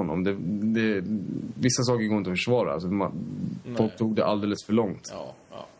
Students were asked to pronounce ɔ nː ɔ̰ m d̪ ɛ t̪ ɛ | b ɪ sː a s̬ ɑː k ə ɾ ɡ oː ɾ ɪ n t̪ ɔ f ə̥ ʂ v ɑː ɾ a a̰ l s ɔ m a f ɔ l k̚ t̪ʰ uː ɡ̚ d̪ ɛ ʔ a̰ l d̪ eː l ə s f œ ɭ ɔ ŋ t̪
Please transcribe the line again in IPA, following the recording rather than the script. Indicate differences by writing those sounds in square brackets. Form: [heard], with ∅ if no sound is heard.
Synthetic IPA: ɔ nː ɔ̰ m d̪ ɛ [d̪] ɛ | [v] ɪ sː a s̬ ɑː k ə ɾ ɡ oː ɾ ɪ n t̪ ɔ f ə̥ ʂ v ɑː ɾ a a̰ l s ɔ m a f ɔ l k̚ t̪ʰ uː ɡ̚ d̪ ɛ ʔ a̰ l d̪ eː l ə s f œ ɭ ɔ ŋ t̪